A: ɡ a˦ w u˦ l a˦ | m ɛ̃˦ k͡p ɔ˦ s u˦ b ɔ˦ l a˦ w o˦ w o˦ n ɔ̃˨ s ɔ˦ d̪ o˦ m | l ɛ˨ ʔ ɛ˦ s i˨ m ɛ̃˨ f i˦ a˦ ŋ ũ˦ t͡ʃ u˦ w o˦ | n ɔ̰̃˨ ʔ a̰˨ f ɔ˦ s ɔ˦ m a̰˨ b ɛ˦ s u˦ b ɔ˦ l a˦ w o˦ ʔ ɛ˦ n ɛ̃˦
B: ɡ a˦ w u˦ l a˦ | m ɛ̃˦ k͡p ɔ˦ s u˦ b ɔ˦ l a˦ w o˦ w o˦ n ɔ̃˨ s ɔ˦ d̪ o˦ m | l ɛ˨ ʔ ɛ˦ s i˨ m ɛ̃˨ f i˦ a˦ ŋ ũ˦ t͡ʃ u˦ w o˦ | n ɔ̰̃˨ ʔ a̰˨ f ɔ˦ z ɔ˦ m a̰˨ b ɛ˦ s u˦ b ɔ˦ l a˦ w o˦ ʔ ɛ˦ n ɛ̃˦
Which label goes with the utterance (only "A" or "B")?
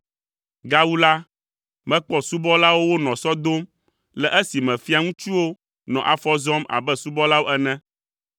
B